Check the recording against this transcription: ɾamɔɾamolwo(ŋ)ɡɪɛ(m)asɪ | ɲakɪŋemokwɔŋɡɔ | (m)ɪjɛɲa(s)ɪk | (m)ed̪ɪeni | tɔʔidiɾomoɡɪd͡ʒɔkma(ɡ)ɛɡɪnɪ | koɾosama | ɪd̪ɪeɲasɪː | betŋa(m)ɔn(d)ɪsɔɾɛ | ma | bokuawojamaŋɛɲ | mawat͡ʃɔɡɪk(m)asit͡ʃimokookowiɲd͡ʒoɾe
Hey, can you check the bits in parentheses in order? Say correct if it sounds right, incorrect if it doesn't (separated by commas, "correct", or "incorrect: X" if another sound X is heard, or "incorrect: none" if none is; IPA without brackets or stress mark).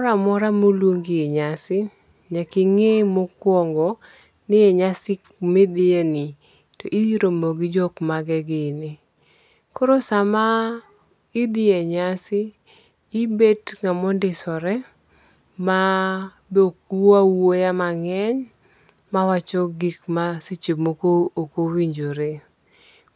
correct, incorrect: ɲ, incorrect: n, correct, correct, correct, correct, correct, correct